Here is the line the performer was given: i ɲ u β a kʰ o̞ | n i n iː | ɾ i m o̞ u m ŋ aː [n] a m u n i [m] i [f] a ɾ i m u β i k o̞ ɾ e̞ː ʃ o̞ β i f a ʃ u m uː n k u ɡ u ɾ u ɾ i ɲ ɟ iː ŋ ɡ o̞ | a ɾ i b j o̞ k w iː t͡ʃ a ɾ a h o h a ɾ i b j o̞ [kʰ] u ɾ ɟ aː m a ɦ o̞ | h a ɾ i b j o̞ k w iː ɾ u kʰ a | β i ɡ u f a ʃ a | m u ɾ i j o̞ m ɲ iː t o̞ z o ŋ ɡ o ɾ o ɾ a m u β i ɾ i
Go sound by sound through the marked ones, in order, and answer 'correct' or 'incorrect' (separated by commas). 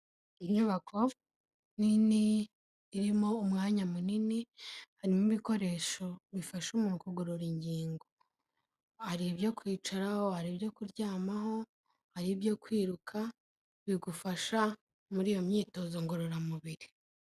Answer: incorrect, incorrect, incorrect, incorrect